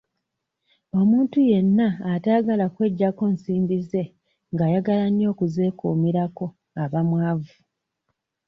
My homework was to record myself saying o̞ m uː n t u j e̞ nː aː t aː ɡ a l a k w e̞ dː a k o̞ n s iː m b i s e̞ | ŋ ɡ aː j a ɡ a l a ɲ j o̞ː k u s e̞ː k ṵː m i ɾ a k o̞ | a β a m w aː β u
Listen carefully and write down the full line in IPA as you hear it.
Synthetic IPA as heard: o̞ m uː n t u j e̞ nː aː t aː ɡ a l a k w e̞ ɟː a k o̞ n s iː m b i z e̞ | ŋ ɡ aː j a ɡ a l a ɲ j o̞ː k u z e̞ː k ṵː m i ɾ a k o̞ | a β a m w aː v u